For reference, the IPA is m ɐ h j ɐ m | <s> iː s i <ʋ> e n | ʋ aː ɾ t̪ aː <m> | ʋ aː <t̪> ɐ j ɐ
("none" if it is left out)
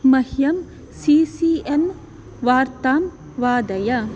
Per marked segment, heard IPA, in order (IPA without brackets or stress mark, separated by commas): s, none, m, d̪